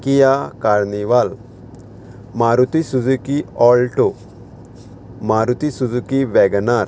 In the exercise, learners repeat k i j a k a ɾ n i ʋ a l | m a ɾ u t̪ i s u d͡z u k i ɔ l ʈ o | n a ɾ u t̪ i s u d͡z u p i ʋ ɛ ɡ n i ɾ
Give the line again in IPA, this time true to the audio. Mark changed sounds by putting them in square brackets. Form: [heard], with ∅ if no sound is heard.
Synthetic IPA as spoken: k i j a k a ɾ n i ʋ a l | m a ɾ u t̪ i s u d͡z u k i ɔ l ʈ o | [m] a ɾ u t̪ i s u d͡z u [k] i ʋ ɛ ɡ n [a] ɾ

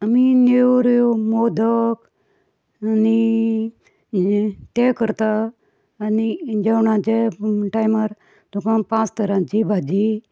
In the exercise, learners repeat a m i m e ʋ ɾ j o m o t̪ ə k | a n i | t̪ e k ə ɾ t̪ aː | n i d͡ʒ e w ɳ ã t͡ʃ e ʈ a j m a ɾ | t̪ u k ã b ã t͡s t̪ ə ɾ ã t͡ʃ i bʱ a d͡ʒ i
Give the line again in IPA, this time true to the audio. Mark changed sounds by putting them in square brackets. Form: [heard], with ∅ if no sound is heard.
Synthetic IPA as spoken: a m i [n] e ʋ ɾ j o m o [d̪] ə k | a n i | t̪ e k ə ɾ t̪ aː | n i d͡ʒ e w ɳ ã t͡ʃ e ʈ a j m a ɾ | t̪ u k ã [p] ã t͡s t̪ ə ɾ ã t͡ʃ i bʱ a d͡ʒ i

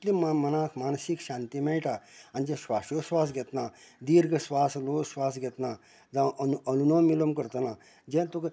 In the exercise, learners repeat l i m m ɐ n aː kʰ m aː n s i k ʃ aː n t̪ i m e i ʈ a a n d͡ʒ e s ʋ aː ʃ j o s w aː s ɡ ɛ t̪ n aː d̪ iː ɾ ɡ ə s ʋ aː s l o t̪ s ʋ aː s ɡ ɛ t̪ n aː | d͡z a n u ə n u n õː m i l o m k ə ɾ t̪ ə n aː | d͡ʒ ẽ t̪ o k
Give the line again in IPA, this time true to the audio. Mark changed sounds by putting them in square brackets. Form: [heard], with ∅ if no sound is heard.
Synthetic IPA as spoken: l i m m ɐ n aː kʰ m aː n s i k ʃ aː n t̪ i m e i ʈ a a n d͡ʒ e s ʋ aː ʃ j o s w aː s ɡ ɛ t̪ n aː d̪ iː ɾ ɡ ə s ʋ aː s l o [∅] s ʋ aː s ɡ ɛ t̪ n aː | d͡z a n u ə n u n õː m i l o m k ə ɾ t̪ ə n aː | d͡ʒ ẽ t̪ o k

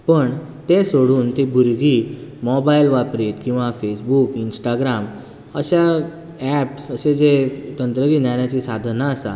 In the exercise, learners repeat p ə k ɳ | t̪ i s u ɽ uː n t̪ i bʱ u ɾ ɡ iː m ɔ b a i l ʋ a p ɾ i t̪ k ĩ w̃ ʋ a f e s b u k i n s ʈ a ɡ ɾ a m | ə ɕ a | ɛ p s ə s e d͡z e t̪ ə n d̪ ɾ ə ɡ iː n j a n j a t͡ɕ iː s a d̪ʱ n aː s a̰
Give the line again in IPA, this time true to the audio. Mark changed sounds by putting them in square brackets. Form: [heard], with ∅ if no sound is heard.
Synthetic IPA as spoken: p ə [∅] ɳ | t̪ [e] s [o] ɽ uː n t̪ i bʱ u ɾ ɡ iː m ɔ b a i l ʋ a p ɾ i t̪ k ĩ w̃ ʋ a f e s b u k i n s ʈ a ɡ ɾ a m | ə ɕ a | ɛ p s ə s e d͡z e t̪ ə n [t̪] ɾ ə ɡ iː n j a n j a t͡ɕ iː s a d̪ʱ n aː s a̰

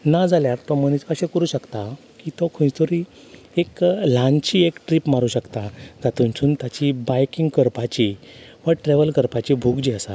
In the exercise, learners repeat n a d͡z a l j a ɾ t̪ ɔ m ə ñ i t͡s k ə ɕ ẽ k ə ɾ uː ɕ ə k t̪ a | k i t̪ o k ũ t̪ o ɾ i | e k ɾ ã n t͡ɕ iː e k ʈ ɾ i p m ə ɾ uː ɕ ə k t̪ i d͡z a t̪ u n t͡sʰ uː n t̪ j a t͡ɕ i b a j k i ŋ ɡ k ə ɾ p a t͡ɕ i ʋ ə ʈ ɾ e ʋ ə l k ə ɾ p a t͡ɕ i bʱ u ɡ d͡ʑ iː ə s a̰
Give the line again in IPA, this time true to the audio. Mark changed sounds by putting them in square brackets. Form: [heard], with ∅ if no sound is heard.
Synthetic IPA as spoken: n a d͡z a l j a ɾ t̪ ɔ m ə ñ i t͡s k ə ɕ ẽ k ə ɾ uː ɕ ə k t̪ a | k i t̪ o [kʰ] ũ t̪ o ɾ i | e k [l] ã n t͡ɕ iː e k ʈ ɾ i p m [a] ɾ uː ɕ ə k t̪ [a] d͡z a t̪ u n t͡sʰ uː n t̪ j a t͡ɕ i b a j k i ŋ ɡ k ə ɾ p a t͡ɕ i ʋ ə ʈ ɾ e ʋ ə l k ə ɾ p a t͡ɕ i bʱ u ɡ d͡ʑ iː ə s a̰

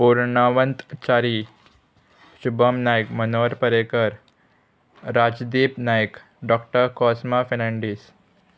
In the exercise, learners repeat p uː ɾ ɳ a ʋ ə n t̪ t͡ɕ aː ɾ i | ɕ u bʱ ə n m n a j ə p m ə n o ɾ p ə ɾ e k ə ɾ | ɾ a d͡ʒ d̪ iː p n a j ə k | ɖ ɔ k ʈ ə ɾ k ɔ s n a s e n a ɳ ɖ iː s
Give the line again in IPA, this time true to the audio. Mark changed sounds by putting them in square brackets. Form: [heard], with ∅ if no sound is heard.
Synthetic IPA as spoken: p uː ɾ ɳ a ʋ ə n t̪ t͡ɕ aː ɾ i | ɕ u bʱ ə [∅] m n a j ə [k] m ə n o ɾ p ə ɾ e k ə ɾ | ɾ a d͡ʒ d̪ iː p n a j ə k | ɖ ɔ k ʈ ə ɾ k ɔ s [m] a [f] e n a ɳ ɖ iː s

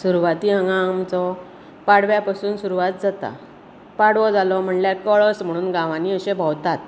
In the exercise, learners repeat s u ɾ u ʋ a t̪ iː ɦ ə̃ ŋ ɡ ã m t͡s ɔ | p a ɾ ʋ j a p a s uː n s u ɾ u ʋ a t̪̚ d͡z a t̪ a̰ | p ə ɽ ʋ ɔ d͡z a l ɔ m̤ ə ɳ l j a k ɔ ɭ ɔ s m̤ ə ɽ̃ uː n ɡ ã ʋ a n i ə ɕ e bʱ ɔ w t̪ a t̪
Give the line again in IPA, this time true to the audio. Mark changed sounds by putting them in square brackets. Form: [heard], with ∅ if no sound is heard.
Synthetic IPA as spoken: s u ɾ u ʋ a t̪ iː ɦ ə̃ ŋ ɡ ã m t͡s ɔ | p a [ɽ] ʋ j a p a s uː n s u ɾ u ʋ a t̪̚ d͡z a t̪ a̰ | p [a] ɽ ʋ ɔ d͡z a l ɔ m̤ ə ɳ l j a k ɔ ɭ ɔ s m̤ ə ɽ̃ uː n ɡ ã ʋ a n i ə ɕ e bʱ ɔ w t̪ a t̪

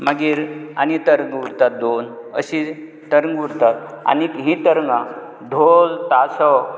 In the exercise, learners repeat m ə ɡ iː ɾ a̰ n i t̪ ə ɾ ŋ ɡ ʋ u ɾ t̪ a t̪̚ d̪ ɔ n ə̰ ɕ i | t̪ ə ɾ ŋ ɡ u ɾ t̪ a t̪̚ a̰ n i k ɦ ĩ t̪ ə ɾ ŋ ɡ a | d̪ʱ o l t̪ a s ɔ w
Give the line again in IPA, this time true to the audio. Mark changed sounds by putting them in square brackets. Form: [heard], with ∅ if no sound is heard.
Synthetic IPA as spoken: m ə ɡ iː ɾ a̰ n i t̪ ə ɾ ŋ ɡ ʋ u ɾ t̪ a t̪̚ d̪ [o] n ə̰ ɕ i | t̪ ə ɾ ŋ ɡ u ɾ t̪ a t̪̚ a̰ n i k ɦ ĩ t̪ ə ɾ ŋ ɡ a | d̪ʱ o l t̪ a s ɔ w

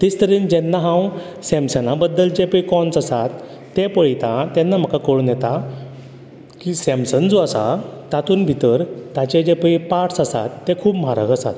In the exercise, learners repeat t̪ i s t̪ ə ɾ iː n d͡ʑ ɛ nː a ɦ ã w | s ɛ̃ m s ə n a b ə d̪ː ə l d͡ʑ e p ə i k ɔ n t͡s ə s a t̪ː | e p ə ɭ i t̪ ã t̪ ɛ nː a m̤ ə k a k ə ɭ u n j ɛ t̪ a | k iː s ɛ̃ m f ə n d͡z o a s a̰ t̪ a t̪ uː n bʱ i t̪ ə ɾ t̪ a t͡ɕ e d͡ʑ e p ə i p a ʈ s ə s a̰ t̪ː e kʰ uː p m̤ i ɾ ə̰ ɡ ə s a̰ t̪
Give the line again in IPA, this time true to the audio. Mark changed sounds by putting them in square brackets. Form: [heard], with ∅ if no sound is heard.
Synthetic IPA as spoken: t̪ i s t̪ ə ɾ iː n d͡ʑ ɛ nː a ɦ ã w | s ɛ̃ m s ə n a b ə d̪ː ə l d͡ʑ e p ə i k ɔ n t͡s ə s a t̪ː | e p ə ɭ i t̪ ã t̪ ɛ nː a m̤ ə k a k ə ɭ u n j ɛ t̪ a | k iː s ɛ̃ m [s] ə n d͡z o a s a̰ t̪ a t̪ uː n bʱ i t̪ ə ɾ t̪ a t͡ɕ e d͡ʑ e p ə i p a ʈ s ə s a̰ t̪ː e kʰ uː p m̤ [a] ɾ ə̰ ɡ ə s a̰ t̪

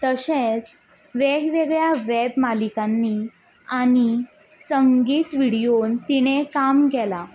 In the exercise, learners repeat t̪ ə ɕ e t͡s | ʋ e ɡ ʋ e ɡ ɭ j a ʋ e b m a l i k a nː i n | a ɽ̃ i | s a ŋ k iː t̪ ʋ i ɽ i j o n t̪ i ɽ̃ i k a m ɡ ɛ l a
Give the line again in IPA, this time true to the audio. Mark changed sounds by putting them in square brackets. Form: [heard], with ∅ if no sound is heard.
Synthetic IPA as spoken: t̪ ə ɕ e t͡s | ʋ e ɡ ʋ e ɡ ɭ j a ʋ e b m a l i k a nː i [∅] | a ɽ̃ i | s [ə] ŋ [ɡ] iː t̪ ʋ i ɽ i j o n t̪ i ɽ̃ [e] k a m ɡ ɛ l a

